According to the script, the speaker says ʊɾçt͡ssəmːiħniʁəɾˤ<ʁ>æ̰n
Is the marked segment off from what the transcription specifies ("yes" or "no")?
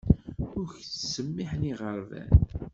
yes